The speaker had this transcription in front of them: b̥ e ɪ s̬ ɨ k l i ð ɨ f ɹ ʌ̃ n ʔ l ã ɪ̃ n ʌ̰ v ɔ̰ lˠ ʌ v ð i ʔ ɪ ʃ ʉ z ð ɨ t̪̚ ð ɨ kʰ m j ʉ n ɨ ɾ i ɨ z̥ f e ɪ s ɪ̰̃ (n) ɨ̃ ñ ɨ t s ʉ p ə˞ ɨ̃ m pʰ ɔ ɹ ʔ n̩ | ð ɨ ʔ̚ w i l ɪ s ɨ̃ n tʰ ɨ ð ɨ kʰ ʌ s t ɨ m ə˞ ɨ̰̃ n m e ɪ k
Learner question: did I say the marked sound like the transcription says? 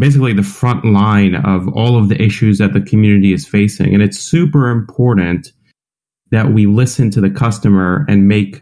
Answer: no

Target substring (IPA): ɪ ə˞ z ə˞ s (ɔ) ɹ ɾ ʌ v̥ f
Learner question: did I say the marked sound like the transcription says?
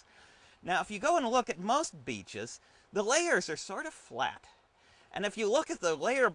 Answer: yes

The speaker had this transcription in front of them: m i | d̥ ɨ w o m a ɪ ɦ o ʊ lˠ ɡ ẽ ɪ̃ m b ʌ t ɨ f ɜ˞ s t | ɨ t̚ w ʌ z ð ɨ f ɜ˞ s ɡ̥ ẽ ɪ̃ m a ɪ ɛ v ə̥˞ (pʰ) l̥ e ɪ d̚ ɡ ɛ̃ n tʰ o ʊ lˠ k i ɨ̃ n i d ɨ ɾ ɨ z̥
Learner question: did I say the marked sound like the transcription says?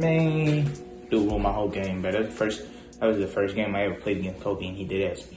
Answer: yes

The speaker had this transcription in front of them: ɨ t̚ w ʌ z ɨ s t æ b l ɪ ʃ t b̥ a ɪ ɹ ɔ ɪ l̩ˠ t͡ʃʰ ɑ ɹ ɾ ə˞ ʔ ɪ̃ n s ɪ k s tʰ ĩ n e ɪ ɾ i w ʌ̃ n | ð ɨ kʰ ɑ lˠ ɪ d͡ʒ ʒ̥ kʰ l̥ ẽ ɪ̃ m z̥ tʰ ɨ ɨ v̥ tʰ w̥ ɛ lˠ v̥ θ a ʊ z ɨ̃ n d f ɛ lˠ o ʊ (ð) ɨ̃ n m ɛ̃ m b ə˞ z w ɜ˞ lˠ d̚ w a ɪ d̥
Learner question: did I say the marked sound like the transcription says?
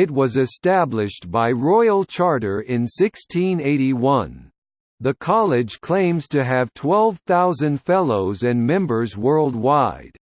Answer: no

